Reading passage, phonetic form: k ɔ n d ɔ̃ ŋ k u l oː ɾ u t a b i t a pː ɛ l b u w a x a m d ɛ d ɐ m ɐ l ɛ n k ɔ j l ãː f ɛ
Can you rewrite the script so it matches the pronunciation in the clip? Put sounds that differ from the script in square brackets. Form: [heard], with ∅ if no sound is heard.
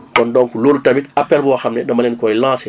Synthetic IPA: k ɔ n d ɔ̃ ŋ k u l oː [l] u t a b i t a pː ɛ l b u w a x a m [n] ɛ d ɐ m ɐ l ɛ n k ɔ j l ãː [s] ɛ